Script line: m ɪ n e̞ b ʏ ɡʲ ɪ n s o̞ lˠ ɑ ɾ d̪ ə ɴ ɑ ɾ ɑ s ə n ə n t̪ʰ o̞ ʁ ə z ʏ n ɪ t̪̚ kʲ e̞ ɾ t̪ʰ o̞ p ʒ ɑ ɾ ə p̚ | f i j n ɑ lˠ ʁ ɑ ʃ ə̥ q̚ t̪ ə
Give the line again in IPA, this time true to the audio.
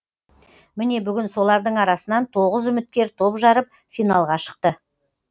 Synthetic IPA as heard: m ɪ n e̞ b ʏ ɡʲ ɪ n s o̞ lˠ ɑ ɾ d̪ ə ɴ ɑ ɾ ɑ s ə n ɑ n t̪ʰ o̞ ʁ ə z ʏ m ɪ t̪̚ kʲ e̞ ɾ t̪ʰ o̞ p ʒ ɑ ɾ ə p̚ | f i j n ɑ lˠ ʁ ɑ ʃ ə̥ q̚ t̪ ə

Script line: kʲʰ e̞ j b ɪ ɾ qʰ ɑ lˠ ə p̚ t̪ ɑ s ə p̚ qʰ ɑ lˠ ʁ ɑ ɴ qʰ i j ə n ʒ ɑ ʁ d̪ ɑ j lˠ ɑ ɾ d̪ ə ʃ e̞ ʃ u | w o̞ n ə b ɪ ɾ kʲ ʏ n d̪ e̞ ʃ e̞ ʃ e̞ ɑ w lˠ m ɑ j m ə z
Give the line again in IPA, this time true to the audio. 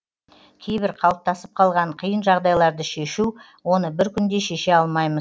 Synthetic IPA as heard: kʲʰ e̞ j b ɪ ɾ qʰ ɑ lˠ ə p̚ t̪ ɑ s ə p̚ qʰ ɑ lˠ ʁ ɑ ɴ qʰ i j ə n ʒ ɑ ʁ d̪ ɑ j lˠ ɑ ɾ d̪ ə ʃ e̞ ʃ u | w o̞ n ə b ɪ ɾ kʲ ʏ n d̪ e̞ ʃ e̞ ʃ e̞ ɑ lˠ m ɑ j m ə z

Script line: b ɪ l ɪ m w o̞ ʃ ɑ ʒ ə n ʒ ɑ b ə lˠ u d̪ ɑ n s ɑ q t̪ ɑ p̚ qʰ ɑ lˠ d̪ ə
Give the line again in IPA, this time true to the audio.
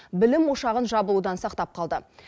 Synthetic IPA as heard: b ɪ l ɪ m w o̞ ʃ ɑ ʁ ə n ʒ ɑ b ə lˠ u d̪ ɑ n s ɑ q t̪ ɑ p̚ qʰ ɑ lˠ d̪ ə

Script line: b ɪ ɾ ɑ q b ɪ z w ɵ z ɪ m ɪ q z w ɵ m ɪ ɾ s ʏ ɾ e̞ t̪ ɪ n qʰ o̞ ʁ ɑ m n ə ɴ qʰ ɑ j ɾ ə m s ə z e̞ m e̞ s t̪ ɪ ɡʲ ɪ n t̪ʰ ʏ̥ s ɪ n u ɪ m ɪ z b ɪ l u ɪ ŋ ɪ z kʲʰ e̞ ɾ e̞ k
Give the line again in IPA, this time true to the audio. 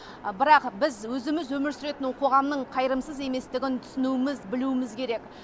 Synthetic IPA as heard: b ɪ ɾ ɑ q b ɪ z w ɵ z ɪ m ɪ z w ɵ m ɪ ɾ s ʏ ɾ e̞ t̪ ɪ n qʰ o̞ ʁ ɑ m n ə ɴ qʰ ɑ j ɾ ə m s ə z e̞ m e̞ s t̪ ɪ ɡʲ ɪ n t̪ʰ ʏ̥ s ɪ n u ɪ m ɪ z b ɪ l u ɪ m ɪ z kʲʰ e̞ ɾ e̞ k

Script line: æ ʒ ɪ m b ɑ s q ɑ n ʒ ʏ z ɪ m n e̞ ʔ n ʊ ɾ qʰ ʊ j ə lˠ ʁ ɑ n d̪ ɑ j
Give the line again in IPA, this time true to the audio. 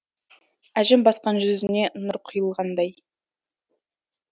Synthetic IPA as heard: æ ʒ ɪ m b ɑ s q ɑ n ʒ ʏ z ɪ n e̞ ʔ n ʊ ɾ qʰ ʊ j ə lˠ ʁ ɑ n d̪ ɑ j

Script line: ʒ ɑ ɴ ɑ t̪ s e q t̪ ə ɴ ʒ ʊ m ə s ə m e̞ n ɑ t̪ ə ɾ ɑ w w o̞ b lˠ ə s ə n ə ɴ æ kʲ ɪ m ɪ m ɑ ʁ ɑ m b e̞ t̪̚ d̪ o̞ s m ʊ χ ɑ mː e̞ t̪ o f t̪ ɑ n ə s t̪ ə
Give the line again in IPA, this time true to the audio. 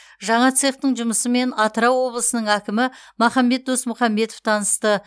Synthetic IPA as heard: ʒ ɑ ɴ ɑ t̪ s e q t̪ ə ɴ ʒ ʊ m ə s ə m e̞ n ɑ t̪ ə ɾ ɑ w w o̞ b lˠ ə s ə n ə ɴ æ kʲ ɪ m ɪ m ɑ χ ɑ m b e̞ t̪̚ d̪ o̞ s m ʊ χ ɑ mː e̞ t̪ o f t̪ʰ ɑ n ə s t̪ ə

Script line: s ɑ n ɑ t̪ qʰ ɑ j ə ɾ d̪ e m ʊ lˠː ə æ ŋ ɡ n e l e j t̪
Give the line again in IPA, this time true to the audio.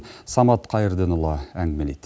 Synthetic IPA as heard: s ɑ m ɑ t̪ qʰ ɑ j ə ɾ d̪ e n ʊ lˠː ɑ æ ŋ ɡ m e l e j t̪

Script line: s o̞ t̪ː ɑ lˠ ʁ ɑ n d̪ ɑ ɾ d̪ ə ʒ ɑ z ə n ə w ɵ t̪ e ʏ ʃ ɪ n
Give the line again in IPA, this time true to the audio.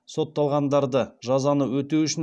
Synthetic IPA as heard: s o̞ t̪ː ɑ lˠ ʁ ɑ n d̪ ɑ ɾ d̪ ə ʒ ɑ z ɑ n ə w ɵ t̪ e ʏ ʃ ɪ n

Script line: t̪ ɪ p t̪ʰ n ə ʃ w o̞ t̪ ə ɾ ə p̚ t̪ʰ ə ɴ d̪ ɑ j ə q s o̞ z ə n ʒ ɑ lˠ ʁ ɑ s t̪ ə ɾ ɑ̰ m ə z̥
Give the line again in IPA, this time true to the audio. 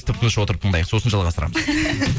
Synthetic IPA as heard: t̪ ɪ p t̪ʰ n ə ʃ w o̞ t̪ ə ɾ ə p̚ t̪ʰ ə ɴ d̪ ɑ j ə q s o̞ s ə n ʒ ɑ lˠ ʁ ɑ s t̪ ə ɾ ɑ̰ m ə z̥

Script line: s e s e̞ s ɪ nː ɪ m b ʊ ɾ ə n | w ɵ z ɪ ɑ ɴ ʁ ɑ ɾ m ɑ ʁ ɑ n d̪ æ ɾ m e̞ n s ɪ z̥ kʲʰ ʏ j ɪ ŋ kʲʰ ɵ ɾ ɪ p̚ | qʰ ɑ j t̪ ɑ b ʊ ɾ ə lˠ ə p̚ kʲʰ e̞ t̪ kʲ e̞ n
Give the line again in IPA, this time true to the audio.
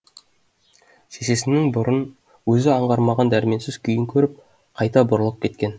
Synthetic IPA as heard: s e s e̞ s ɪ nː ɪ ŋ b ʊ ɾ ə n | w ɵ z ɪ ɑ ɴ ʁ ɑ ɾ m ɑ ʁ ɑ n d̪ æ ɾ m e̞ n s ɪ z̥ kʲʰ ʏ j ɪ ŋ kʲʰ ɵ ɾ ɪ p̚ | qʰ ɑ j t̪ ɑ b ʊ ɾ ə lˠ ə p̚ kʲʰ e̞ t̪ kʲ e̞ n

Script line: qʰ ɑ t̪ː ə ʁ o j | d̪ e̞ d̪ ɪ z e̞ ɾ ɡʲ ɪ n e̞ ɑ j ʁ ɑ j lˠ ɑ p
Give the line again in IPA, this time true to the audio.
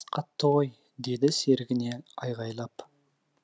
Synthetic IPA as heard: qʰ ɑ t̪ː ə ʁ o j | d̪ e̞ d̪ ɪ s e̞ ɾ ɡʲ ɪ n e̞ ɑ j ʁ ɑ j lˠ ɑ p

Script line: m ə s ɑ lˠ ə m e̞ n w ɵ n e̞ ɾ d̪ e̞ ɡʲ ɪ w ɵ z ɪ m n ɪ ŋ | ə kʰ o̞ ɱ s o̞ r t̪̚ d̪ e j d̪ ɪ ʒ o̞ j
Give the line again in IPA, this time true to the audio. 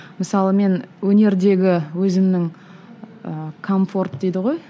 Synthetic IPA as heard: m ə s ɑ lˠ ə m e̞ n w ɵ n e̞ ɾ d̪ e̞ ɡʲ ɪ w ɵ z ɪ m n ɪ ŋ | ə kʰ o̞ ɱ f o̞ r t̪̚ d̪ e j d̪ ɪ ʁ o̞ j

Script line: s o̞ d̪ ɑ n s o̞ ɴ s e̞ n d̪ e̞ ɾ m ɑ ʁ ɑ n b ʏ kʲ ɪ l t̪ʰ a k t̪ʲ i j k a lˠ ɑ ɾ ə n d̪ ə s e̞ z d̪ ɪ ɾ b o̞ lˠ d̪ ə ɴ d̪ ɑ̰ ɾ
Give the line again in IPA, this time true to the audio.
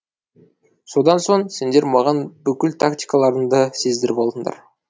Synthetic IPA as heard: s o̞ d̪ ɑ n s o̞ ɴ s e̞ n d̪ e̞ ɾ m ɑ ʁ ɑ n b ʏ kʲ ɪ l t̪ʰ a k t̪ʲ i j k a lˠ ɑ ɾ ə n d̪ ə s e̞ z d̪ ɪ ɾ b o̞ lˠ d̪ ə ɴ d̪ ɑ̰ ɾ

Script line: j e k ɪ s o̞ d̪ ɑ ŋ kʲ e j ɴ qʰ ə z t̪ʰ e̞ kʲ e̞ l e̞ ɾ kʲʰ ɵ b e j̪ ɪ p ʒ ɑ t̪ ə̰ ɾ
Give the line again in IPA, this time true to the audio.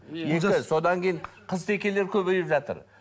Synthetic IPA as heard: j e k ɪ s o̞ d̪ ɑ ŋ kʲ e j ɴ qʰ ə z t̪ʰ e̞ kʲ e̞ l e̞ ɾ kʲʰ ɵ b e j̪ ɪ p ʒ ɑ t̪ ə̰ ɾ

